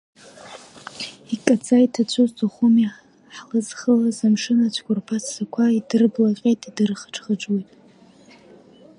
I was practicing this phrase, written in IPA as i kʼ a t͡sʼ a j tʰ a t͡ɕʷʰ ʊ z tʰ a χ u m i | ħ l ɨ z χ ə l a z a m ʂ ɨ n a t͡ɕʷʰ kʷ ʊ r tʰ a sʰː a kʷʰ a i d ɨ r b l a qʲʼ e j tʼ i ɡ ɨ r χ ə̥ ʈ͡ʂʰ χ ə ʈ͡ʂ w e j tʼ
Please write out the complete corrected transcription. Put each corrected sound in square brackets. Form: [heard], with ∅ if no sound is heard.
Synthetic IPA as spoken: i kʼ a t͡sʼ a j tʰ a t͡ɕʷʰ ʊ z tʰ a χ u m i | ħ l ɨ z χ ə l a z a m ʂ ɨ n a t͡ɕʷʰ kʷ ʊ r [pʰ] a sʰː a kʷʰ a i d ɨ r b l a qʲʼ e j tʼ i [d] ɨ r χ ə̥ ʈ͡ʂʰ χ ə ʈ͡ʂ w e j tʼ